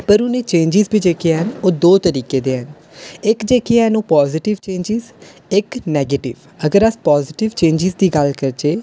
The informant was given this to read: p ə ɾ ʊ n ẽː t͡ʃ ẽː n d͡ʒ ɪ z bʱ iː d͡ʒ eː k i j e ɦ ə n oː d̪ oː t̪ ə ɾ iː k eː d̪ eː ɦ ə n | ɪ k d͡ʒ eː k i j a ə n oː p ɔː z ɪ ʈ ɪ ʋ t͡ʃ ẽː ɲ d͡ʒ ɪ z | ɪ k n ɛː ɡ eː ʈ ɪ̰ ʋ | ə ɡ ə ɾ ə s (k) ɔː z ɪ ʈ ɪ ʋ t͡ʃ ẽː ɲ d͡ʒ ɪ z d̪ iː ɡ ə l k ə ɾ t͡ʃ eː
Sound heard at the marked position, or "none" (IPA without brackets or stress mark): p